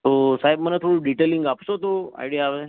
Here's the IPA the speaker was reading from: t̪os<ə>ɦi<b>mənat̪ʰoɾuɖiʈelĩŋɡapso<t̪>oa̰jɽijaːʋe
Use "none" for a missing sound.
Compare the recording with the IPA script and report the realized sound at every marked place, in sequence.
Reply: a, b, t̪

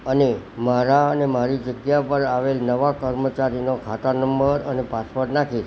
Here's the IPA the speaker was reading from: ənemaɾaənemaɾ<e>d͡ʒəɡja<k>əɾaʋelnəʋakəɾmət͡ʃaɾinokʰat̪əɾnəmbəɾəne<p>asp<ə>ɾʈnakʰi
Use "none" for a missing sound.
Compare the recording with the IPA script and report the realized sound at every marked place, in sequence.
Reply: i, p, p, ə

